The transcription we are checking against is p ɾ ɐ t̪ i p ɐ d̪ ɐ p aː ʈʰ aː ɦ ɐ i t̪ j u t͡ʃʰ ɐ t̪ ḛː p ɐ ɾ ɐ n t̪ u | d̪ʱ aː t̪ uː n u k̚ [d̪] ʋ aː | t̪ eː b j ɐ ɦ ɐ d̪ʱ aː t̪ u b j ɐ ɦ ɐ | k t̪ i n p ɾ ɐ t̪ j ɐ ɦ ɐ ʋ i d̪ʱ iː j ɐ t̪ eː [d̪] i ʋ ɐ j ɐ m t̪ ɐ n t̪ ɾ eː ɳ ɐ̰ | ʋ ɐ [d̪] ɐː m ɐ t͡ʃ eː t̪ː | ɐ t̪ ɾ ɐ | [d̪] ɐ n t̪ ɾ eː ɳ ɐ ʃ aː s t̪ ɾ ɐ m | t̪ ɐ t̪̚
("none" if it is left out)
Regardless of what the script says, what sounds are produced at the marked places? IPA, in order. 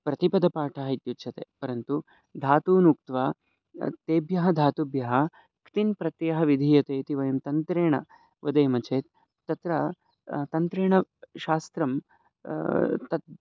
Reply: t̪, t̪, d̪, t̪

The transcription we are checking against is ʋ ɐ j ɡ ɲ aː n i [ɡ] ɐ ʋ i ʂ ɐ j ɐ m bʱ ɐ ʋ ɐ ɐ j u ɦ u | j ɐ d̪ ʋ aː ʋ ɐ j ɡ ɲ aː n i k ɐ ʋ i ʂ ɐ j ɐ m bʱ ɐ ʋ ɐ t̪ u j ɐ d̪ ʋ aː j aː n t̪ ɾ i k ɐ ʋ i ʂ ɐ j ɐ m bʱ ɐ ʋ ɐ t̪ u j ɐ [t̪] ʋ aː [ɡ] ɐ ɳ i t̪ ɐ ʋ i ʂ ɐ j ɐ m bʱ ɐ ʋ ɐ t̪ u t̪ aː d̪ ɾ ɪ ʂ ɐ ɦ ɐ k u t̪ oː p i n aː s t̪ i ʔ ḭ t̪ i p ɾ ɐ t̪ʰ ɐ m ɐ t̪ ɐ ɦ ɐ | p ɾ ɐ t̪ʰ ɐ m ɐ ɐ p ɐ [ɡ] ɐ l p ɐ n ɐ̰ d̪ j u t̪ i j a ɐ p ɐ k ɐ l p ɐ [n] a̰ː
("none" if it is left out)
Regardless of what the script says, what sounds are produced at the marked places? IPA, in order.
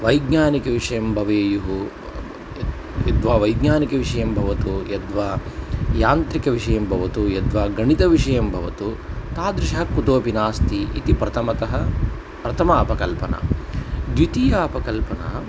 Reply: k, d̪, ɡ, k, n

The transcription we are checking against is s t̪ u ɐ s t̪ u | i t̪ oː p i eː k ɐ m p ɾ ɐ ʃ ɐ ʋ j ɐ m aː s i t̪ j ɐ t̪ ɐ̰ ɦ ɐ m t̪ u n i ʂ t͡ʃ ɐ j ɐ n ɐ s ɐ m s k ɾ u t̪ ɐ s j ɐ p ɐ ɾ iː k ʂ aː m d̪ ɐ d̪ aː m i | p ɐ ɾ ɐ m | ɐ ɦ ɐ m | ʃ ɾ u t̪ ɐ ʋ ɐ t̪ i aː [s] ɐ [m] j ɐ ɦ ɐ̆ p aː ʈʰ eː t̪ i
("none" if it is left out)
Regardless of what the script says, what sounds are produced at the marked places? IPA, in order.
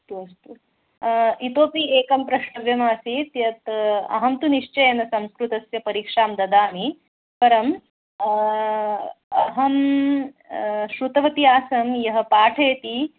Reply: s, m

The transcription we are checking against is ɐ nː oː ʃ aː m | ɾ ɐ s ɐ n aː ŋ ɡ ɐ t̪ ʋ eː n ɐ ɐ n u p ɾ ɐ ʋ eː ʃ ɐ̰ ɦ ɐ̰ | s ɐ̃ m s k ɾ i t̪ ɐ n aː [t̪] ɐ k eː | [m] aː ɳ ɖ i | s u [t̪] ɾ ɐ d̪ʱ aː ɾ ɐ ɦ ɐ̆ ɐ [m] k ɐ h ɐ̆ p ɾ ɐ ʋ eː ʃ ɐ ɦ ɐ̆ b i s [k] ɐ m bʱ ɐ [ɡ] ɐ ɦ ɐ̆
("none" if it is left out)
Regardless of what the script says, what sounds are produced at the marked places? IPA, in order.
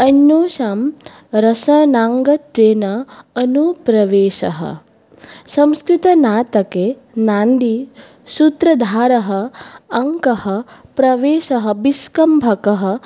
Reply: t̪, n, t̪, ŋ, k, k

